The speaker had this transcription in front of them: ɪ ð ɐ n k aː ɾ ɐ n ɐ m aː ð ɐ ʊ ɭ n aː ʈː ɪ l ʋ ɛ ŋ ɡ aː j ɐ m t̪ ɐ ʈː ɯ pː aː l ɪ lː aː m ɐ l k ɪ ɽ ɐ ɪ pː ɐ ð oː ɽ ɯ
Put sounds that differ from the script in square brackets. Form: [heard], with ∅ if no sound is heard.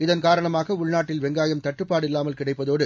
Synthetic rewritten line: ɪ ð ɐ n k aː ɾ ɐ [ɳ] ɐ m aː [ɣ] ɐ ʊ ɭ n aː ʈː ɪ l ʋ ɛ ŋ ɡ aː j ɐ m t̪ ɐ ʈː ɯ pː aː [ɽ] ɪ lː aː m ɐ l k ɪ ɽ ɐ ɪ pː ɐ ð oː ɽ ɯ